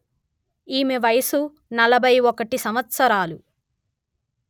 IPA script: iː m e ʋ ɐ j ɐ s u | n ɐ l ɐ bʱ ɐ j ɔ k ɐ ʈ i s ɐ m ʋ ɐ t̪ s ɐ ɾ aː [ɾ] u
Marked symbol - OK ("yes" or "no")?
no